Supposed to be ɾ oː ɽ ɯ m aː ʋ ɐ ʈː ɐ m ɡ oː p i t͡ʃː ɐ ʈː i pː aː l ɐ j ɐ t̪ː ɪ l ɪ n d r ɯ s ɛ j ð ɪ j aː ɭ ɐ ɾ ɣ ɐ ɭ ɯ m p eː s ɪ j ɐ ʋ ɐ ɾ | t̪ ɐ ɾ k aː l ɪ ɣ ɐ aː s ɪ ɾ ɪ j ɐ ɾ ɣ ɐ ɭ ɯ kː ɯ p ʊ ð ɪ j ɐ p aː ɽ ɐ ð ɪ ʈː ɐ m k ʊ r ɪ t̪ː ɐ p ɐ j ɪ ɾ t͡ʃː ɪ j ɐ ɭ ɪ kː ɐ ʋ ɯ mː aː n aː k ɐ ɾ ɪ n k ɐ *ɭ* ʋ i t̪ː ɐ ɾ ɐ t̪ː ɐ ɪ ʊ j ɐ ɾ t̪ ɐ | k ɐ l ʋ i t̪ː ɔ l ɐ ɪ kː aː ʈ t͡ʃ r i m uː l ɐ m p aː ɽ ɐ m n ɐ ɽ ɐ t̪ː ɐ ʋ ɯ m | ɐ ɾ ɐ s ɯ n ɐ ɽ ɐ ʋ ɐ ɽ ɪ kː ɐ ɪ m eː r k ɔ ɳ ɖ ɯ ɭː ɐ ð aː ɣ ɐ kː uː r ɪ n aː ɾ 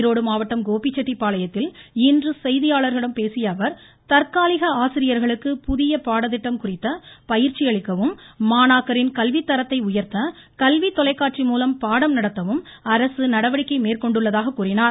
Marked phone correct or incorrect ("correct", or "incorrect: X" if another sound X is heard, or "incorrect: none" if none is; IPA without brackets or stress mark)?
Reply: incorrect: l